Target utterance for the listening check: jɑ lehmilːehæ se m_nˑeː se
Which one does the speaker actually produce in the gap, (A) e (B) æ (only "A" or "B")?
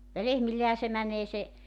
B